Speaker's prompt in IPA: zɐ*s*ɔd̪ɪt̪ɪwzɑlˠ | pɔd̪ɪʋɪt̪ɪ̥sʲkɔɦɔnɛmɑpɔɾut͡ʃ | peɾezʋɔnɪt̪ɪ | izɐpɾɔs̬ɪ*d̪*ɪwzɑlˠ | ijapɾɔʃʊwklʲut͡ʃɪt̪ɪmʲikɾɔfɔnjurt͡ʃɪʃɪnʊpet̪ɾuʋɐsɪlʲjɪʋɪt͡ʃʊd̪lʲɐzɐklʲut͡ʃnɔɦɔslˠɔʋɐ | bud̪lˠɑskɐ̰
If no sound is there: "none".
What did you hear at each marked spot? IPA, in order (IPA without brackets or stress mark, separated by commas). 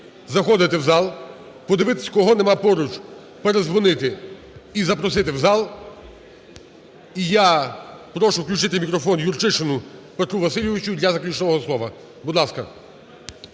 x, t̪